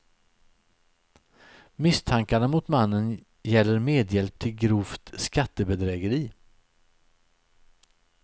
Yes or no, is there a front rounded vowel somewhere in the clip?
no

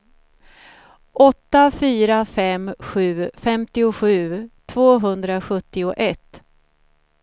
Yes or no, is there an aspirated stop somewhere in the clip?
yes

